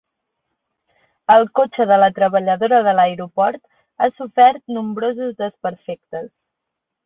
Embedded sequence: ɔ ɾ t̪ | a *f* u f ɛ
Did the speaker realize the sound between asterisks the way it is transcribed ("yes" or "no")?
no